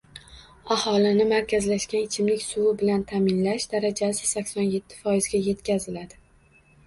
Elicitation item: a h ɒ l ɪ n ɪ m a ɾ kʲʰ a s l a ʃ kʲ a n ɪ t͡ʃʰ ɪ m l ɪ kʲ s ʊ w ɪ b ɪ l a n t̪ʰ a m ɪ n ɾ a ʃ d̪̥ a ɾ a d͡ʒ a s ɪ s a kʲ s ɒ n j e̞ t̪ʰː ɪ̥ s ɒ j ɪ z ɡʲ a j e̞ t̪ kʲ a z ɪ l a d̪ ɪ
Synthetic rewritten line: a h ɒ l ɪ n ɪ m a ɾ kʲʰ a z l a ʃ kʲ a n ɪ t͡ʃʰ ɪ m l ɪ kʲ s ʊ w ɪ b ɪ l a n t̪ʰ a m ɪ n l a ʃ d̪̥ a ɾ a d͡ʒ a s ɪ s a kʲ s ɒ n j e̞ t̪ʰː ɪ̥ f ɒ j ɪ z ɡʲ a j e̞ t̪ kʲ a z ɪ l a d̪ ɪ